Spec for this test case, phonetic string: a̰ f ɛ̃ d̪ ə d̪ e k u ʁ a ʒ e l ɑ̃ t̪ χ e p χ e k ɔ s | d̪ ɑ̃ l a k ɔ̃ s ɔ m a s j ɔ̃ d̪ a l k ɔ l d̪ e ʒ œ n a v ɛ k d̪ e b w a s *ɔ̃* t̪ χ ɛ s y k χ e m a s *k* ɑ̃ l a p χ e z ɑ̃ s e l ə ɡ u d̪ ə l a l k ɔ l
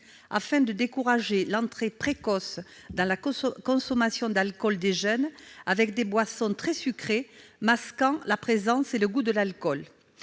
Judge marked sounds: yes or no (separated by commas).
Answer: yes, yes